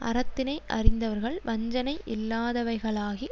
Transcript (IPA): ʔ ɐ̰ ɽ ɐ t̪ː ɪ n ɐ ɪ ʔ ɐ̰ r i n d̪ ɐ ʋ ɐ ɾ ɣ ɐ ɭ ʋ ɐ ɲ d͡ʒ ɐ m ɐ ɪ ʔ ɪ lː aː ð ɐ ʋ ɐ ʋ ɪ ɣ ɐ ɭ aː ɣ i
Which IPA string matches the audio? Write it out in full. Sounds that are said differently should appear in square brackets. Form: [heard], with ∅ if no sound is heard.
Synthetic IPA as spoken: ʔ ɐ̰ [ɾ] ɐ t̪ː ɪ n ɐ ɪ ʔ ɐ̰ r [ɪ] n d̪ ɐ ʋ ɐ ɾ ɣ ɐ ɭ ʋ ɐ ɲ d͡ʒ ɐ [n] ɐ ɪ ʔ ɪ lː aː ð ɐ ʋ ɐ [∅] ɪ ɣ ɐ ɭ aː ɣ i